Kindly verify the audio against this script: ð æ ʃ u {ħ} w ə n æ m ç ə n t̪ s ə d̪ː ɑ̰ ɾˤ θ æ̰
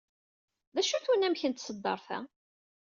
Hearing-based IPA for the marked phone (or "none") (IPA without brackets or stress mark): θ